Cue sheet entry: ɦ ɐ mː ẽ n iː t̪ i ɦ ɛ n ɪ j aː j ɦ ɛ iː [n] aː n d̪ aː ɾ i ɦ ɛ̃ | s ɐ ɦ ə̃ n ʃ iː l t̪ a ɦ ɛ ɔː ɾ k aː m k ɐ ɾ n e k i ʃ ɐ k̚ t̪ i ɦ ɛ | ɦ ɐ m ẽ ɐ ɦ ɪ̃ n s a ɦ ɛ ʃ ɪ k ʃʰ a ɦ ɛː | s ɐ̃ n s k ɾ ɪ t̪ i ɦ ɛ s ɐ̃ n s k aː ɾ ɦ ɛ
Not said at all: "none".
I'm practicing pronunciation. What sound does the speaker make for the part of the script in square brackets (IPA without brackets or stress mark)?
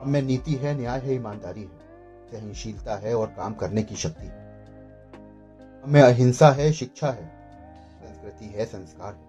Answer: m